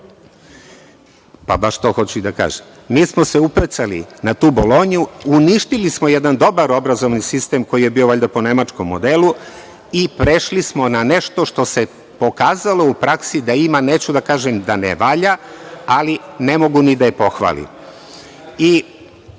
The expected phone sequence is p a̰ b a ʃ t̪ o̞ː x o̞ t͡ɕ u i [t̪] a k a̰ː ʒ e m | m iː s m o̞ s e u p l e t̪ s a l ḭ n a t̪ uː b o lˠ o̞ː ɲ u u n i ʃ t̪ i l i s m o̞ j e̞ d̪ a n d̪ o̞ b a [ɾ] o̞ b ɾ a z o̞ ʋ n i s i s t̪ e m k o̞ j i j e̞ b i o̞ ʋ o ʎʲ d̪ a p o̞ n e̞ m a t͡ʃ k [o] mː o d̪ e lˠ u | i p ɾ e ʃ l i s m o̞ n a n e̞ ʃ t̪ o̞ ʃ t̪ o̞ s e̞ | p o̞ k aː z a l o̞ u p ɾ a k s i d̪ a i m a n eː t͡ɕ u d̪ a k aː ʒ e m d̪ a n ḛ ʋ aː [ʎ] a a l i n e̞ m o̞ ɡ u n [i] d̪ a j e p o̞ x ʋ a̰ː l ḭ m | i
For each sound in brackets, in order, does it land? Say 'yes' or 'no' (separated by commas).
no, yes, yes, yes, yes